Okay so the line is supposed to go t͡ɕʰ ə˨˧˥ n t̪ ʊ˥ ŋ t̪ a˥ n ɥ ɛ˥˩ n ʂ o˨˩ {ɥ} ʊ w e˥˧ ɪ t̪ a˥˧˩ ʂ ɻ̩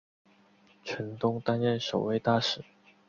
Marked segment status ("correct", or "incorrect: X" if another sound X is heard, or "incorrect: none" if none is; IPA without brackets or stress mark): incorrect: none